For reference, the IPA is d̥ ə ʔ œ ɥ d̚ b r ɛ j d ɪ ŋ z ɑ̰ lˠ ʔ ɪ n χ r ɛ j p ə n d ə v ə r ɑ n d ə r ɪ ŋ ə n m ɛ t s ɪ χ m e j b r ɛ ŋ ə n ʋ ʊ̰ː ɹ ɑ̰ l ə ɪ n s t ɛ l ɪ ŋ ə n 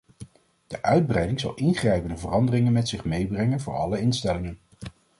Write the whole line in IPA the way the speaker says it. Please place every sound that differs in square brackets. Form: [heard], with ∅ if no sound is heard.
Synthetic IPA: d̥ ə ʔ œ ɥ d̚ b r ɛ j d ɪ ŋ z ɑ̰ lˠ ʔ ɪ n χ r ɛ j p ə n d ə v ə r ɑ n d ə r ɪ ŋ ə n m ɛ t s ɪ χ m e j b r ɛ ŋ ə n [v] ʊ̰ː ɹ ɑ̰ l ə ɪ n s t ɛ l ɪ ŋ ə n

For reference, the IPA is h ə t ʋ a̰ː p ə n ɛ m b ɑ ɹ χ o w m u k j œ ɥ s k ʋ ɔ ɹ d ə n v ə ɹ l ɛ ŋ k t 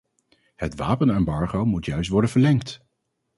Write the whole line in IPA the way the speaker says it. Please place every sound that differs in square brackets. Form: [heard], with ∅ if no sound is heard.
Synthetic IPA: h ə t ʋ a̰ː p ə n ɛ m b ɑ ɹ χ o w m u [t] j œ ɥ s [t] ʋ ɔ ɹ d ə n v ə ɹ l ɛ ŋ k t

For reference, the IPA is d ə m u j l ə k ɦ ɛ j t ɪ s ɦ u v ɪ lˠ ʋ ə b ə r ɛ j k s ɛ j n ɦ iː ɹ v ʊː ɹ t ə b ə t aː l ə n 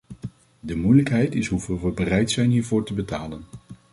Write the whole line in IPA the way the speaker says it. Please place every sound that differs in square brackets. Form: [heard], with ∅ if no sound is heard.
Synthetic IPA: d ə m u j l ə k ɦ ɛ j t ɪ s ɦ u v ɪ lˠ ʋ ə b ə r ɛ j [t] s ɛ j n ɦ iː ɹ v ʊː ɹ t ə b ə t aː l ə n

